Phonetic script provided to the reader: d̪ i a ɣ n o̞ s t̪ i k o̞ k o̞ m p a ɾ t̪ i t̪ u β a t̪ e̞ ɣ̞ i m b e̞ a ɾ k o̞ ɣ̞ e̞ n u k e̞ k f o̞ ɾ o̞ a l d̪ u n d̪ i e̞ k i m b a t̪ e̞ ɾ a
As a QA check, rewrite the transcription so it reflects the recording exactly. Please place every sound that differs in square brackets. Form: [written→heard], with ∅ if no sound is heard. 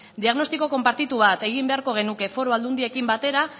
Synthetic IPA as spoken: d̪ i a ɣ n o̞ s t̪ i k o̞ k o̞ m p a ɾ t̪ i t̪ u β a t̪ e̞ ɣ̞ i m b e̞ a ɾ k o̞ ɣ̞ e̞ n u k e̞ [k→∅] f o̞ ɾ o̞ a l d̪ u n d̪ i e̞ k i m b a t̪ e̞ ɾ a